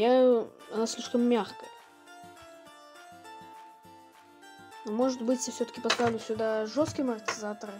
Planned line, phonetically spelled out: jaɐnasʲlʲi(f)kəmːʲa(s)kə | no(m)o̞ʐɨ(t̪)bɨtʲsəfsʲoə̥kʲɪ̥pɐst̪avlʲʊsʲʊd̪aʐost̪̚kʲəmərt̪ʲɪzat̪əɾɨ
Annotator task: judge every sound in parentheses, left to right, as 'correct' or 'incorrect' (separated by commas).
incorrect, incorrect, correct, correct